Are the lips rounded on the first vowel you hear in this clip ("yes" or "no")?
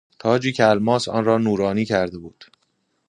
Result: yes